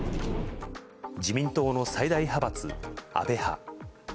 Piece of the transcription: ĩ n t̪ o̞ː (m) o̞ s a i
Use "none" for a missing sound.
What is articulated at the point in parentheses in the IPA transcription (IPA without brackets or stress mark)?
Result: n